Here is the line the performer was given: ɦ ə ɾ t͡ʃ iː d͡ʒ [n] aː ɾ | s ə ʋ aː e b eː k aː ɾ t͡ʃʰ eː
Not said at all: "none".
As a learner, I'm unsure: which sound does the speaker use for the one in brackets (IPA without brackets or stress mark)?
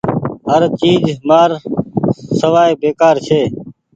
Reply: m